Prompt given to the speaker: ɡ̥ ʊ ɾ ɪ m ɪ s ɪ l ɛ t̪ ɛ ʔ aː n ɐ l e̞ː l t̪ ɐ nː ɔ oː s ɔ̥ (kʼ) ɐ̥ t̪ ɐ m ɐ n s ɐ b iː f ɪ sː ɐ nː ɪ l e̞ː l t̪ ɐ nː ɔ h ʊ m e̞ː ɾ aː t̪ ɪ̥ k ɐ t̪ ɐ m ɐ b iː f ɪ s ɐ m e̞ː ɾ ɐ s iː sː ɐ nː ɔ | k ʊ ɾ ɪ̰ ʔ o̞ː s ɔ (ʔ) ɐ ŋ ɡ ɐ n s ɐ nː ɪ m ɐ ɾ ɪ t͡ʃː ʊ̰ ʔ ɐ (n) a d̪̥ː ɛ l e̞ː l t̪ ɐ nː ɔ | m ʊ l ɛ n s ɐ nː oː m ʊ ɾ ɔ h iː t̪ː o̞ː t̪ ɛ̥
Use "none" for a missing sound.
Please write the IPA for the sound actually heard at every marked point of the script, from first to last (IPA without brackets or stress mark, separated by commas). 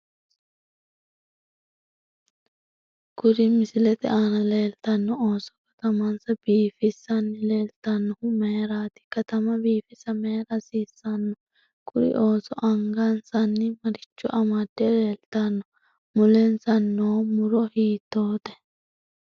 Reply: k, ʔ, m